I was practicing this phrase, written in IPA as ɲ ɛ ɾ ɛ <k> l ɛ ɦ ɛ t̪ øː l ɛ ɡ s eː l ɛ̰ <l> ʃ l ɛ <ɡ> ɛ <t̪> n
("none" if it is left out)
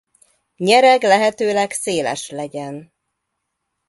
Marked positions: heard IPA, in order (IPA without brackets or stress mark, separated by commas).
ɡ, none, ɟ, none